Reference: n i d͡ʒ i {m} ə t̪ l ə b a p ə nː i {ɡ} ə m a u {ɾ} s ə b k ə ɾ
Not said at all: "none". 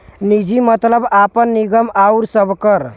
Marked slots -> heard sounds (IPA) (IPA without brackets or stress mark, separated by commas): m, ɡ, ɾ